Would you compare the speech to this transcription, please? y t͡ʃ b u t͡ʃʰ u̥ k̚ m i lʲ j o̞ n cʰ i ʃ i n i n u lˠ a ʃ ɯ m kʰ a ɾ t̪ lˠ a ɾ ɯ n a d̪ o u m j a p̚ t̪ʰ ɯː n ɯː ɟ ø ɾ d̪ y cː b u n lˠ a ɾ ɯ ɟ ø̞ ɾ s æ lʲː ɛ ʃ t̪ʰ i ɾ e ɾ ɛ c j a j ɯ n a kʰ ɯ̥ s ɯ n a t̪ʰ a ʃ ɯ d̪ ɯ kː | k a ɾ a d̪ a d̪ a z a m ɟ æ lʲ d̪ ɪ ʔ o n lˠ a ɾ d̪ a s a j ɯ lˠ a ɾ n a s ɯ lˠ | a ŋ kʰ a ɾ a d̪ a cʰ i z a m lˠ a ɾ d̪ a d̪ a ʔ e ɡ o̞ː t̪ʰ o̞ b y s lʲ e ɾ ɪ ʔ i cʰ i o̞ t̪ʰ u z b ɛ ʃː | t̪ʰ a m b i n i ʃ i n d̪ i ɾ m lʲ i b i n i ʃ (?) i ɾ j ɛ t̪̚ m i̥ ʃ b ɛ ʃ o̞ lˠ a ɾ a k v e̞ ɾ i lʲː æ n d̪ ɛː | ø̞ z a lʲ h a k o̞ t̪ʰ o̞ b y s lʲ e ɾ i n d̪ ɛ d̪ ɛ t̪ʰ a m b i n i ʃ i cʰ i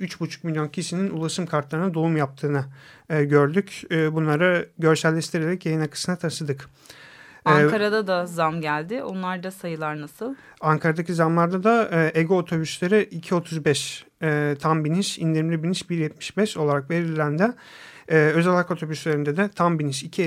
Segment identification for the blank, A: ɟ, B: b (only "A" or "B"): B